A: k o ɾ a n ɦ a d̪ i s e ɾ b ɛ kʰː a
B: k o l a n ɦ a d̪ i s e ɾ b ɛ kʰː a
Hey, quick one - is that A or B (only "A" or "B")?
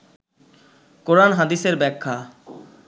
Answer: A